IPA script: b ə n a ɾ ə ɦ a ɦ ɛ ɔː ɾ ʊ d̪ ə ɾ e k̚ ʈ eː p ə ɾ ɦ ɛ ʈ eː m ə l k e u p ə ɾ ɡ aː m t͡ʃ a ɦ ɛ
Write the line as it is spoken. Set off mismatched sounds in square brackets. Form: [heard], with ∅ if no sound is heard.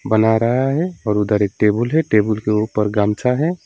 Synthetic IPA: b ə n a ɾ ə ɦ a ɦ ɛ ɔː ɾ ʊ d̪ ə ɾ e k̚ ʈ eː [b] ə [l] ɦ ɛ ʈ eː [b] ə l k e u p ə ɾ ɡ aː m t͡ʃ a ɦ ɛ